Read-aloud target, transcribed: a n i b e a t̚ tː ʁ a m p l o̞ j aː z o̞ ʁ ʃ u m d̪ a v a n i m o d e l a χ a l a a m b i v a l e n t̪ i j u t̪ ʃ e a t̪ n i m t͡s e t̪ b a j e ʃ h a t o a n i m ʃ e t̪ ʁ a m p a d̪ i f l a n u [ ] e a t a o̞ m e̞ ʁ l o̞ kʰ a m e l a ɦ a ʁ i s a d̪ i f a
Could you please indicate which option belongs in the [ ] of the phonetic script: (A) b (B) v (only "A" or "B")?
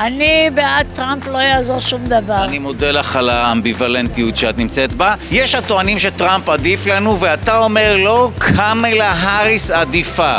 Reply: B